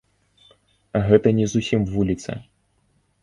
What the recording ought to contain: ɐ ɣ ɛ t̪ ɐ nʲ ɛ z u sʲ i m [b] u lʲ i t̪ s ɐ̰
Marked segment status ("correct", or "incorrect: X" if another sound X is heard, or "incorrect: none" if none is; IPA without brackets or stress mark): incorrect: v